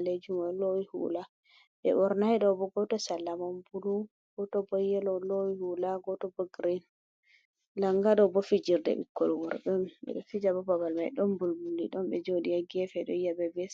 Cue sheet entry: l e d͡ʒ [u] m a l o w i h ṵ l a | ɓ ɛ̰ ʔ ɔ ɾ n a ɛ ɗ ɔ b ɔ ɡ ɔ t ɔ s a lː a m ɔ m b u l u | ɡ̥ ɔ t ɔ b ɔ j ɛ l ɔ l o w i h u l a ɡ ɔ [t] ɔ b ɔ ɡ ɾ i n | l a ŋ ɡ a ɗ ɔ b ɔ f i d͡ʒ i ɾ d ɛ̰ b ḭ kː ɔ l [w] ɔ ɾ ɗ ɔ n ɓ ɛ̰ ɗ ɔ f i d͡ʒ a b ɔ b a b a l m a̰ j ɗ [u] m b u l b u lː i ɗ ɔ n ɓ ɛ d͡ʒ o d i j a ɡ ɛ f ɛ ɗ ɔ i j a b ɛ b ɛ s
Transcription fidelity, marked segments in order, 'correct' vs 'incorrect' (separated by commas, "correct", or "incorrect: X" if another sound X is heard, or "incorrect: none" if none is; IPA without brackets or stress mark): correct, correct, correct, incorrect: ɔ